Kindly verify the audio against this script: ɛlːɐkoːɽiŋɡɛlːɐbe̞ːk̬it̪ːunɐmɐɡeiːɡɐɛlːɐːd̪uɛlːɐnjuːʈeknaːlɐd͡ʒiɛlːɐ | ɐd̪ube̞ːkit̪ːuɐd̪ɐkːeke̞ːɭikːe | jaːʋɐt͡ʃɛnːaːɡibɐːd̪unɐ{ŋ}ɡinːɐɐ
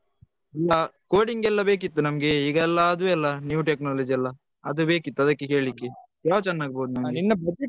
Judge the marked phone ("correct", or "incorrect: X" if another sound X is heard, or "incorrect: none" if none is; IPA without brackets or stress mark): incorrect: m